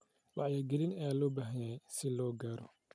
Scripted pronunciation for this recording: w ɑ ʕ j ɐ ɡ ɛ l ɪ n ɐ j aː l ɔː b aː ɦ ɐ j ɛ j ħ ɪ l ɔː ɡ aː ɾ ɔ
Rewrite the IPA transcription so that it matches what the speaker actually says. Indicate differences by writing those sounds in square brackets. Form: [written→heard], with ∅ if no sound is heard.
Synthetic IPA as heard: w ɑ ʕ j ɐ ɡ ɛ l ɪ n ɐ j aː l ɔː b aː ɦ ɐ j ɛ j [ħ→s] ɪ l ɔː ɡ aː ɾ ɔ